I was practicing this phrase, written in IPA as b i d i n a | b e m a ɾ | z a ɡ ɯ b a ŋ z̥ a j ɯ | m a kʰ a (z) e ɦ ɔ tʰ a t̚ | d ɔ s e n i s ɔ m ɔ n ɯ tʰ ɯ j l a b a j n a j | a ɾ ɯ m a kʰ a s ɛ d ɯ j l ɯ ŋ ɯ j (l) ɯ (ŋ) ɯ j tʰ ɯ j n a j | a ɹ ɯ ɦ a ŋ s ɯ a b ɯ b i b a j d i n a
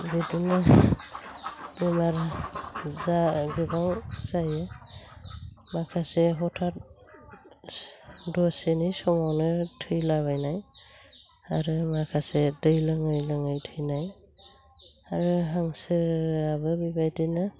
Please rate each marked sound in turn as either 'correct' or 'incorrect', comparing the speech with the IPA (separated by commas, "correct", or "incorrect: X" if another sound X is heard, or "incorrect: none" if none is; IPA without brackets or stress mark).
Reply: incorrect: s, correct, correct